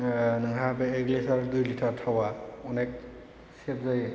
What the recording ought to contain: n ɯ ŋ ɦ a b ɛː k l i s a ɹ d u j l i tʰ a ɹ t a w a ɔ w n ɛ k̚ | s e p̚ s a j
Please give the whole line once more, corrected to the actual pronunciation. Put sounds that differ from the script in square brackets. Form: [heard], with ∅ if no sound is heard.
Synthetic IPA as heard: n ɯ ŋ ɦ a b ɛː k l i s a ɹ d u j l i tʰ a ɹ [tʰ] a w a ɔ [∅] n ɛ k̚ | s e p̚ [z] a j